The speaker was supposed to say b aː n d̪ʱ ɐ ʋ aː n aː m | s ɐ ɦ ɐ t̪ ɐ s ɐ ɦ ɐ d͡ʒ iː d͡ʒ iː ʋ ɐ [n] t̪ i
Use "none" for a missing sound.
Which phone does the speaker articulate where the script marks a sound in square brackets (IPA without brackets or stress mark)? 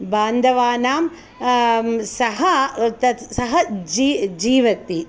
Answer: none